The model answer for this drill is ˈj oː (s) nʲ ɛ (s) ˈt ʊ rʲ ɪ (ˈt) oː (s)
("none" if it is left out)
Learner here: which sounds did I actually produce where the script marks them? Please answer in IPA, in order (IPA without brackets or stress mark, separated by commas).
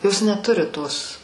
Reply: s, none, t, s